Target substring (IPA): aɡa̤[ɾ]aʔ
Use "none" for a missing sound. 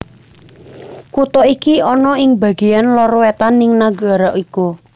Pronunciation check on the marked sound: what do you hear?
ɾ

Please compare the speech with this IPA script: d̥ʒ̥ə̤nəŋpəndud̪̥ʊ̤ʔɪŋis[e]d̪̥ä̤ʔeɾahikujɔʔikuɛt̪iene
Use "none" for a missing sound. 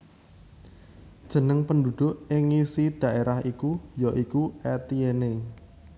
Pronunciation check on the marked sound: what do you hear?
i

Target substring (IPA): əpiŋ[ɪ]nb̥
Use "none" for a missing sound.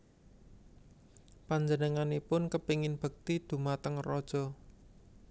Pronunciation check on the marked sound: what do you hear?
ɪ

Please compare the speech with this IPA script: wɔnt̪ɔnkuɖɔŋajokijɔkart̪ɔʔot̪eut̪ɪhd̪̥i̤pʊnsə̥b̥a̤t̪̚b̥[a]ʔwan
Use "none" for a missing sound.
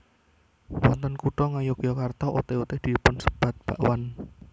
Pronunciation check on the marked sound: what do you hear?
a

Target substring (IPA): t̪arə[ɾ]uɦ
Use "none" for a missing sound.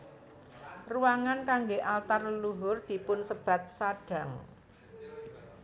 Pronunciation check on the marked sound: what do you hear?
l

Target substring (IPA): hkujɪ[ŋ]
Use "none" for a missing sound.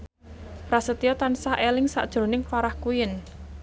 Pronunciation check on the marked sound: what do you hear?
n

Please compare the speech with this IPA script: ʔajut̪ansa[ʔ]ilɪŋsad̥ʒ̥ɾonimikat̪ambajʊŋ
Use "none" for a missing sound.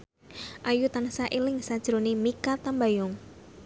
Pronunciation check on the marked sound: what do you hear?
ʔ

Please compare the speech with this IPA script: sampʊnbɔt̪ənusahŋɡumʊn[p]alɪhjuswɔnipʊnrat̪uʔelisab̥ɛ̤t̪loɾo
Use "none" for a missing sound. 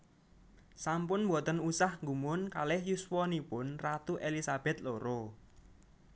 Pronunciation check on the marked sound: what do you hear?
k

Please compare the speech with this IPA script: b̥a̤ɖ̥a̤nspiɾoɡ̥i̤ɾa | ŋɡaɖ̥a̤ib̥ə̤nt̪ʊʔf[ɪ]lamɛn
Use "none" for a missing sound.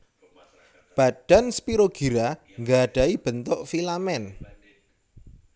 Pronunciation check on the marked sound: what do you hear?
i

